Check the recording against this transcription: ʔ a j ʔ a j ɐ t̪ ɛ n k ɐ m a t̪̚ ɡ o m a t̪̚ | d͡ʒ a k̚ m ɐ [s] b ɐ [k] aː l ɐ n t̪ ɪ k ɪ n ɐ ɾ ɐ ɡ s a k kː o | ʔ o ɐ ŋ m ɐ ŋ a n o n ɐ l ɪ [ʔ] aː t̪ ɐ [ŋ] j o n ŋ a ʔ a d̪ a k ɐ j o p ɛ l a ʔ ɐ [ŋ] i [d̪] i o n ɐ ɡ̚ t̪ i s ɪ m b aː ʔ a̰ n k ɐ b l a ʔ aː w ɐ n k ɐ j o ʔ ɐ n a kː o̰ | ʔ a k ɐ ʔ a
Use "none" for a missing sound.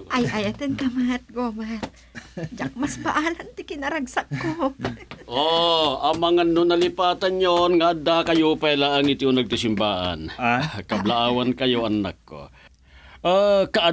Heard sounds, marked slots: s, ʔ, p, n, ŋ, t̪

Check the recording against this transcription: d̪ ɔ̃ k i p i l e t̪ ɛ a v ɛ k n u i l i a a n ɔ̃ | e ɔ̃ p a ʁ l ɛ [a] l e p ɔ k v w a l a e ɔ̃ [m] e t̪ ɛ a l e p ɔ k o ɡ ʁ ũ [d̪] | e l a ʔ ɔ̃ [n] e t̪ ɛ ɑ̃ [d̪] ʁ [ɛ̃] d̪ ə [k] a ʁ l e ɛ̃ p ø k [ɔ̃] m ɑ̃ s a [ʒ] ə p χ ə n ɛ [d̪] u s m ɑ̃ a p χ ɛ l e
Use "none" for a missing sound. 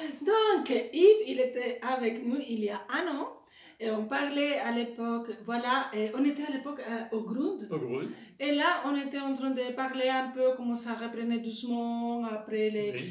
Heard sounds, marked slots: a, n, d̪, n, t̪, ɛ̃, p, ɔ, ʁ, d̪

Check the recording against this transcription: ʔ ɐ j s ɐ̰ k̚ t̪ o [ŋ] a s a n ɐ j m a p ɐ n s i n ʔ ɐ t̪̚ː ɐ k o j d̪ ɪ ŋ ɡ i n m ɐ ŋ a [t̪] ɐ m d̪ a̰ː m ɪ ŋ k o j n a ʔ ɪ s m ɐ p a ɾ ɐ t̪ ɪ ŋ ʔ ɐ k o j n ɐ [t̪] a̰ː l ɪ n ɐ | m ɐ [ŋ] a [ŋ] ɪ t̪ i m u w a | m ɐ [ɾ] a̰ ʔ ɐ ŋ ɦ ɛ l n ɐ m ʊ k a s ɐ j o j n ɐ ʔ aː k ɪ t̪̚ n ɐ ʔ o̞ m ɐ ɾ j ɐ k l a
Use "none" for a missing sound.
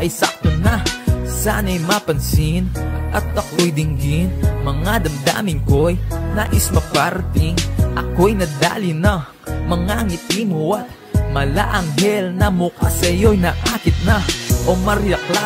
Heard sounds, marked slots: n, d̪, d̪, ŋ, ŋ, l

